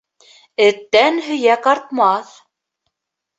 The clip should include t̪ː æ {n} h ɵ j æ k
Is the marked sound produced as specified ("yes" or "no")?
yes